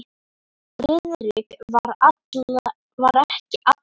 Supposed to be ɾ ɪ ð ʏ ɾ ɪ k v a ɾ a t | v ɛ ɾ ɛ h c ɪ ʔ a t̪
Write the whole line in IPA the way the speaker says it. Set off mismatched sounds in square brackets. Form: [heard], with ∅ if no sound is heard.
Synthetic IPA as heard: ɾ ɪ ð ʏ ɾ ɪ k v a ɾ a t | v [a] ɾ ɛ h c ɪ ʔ a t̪